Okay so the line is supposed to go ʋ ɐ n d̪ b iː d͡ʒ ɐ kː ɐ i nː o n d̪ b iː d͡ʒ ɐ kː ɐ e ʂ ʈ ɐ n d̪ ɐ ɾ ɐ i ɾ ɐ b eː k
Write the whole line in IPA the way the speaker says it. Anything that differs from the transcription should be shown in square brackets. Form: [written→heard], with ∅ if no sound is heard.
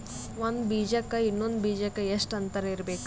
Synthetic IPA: ʋ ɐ n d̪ b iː d͡ʒ ɐ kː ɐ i nː o n d̪ b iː d͡ʒ ɐ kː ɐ e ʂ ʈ ɐ n [d̪→t̪] ɐ ɾ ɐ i ɾ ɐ b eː k